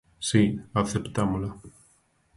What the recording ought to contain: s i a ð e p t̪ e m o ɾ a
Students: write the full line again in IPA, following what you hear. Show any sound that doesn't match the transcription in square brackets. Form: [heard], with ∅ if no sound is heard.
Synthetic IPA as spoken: s i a [θ] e p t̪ [a] m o [l] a